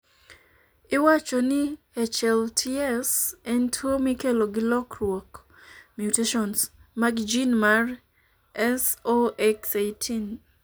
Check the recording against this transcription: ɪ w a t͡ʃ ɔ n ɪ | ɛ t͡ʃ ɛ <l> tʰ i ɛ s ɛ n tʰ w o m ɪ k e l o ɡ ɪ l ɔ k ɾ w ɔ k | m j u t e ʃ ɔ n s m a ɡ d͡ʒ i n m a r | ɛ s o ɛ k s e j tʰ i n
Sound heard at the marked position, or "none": l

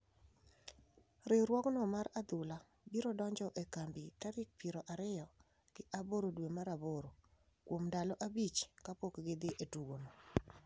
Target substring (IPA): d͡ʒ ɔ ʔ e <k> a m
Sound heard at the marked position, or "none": k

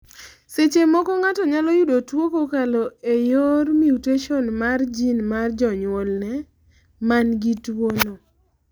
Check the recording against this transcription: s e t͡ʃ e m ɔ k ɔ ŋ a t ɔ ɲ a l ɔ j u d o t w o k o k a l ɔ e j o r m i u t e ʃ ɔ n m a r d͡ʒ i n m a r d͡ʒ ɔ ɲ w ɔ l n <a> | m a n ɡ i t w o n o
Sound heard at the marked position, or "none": ɛ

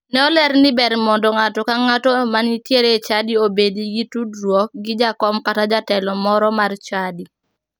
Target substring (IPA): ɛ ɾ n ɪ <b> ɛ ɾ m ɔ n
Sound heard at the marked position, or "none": b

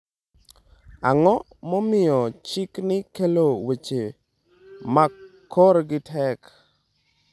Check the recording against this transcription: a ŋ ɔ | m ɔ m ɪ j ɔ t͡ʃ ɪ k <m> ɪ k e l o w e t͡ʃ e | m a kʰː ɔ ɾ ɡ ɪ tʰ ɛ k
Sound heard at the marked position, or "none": n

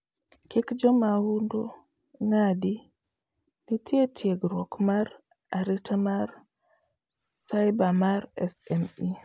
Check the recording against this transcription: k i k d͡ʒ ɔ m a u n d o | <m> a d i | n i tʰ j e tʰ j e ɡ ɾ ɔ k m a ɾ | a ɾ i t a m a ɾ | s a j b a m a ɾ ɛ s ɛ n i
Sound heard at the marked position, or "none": ŋ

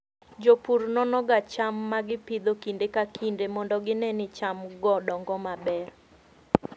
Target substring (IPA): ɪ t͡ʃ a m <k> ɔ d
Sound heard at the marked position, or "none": ɡ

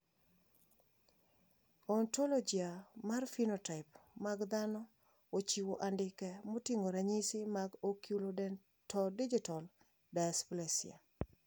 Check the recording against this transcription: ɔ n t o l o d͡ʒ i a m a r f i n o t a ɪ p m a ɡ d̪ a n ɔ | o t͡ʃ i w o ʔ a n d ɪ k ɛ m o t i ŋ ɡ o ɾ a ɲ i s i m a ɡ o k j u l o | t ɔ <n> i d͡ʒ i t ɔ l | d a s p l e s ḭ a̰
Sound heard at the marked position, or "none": d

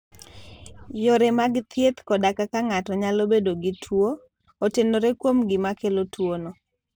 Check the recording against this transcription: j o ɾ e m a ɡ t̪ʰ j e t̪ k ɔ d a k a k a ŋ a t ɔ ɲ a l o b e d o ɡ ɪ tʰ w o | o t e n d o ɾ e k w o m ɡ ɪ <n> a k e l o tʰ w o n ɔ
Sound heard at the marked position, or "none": m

